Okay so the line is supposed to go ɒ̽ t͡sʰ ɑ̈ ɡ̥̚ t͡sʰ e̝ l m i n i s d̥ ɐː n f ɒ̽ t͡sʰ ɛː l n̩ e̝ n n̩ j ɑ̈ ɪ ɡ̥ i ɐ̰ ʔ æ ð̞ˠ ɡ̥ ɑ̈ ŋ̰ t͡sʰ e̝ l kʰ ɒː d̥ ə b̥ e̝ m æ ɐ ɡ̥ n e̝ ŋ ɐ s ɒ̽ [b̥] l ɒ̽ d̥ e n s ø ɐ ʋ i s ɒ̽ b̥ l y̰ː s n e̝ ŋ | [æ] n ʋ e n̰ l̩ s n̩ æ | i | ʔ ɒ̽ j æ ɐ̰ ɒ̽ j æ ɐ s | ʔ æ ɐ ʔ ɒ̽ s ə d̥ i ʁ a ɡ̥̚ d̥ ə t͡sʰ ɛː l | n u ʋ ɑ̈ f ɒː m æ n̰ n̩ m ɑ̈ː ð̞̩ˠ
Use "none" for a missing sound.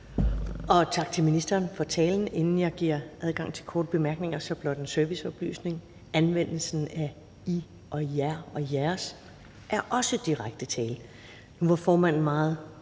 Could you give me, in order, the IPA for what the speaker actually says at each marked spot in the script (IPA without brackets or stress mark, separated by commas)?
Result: b̥, æ